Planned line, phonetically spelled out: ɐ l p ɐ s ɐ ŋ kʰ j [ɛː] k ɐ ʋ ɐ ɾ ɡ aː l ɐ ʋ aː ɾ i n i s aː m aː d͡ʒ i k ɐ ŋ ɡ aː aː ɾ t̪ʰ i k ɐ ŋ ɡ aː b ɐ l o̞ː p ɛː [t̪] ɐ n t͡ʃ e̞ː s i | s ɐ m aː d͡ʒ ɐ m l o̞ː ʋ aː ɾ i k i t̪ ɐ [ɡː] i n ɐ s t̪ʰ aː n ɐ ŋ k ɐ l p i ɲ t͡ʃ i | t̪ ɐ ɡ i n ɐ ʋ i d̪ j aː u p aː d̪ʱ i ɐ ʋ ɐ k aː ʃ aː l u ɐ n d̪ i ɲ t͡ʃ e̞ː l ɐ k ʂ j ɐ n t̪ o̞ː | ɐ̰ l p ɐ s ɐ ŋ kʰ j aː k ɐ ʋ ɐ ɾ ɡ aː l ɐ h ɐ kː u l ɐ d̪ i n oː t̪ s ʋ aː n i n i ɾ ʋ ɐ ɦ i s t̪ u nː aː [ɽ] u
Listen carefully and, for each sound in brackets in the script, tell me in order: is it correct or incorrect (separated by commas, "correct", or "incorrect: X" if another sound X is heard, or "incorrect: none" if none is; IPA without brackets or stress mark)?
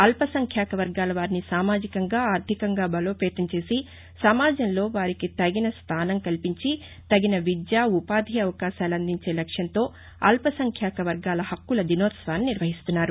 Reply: incorrect: aː, correct, incorrect: ɡ, incorrect: ɾ